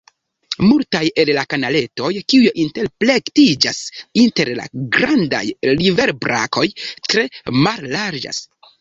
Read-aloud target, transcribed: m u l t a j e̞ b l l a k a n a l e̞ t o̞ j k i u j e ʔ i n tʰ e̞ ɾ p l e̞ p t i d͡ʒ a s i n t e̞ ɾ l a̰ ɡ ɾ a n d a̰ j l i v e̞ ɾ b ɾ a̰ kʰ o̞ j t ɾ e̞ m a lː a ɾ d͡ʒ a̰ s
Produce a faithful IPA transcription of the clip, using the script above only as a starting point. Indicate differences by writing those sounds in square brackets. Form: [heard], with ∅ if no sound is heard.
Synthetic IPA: m u l t a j e̞ [∅] l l a k a n a l e̞ t o̞ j k i u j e ʔ i n [t] e̞ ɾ p l e̞ [k] t i d͡ʒ a s i n t e̞ ɾ l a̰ ɡ ɾ a n d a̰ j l i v e̞ ɾ b ɾ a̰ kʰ o̞ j t ɾ e̞ m a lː a ɾ d͡ʒ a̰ s